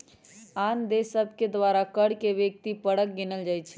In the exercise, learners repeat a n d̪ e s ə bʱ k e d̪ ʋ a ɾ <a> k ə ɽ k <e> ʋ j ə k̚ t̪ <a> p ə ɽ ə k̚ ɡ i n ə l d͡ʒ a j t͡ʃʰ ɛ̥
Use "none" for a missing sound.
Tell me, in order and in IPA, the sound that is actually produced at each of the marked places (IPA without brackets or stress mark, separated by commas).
a, e, i